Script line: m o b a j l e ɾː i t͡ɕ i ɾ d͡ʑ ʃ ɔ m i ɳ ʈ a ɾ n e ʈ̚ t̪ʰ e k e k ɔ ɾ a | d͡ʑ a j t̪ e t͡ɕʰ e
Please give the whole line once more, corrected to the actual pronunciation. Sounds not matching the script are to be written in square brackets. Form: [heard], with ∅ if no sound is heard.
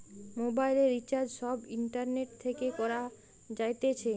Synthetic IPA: m o b a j l e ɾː i t͡ɕ [a] ɾ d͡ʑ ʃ ɔ [b] i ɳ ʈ a ɾ n e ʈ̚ t̪ʰ e k e k ɔ ɾ a | d͡ʑ a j t̪ e t͡ɕʰ e